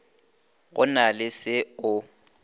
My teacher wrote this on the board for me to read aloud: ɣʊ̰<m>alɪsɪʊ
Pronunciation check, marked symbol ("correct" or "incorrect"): incorrect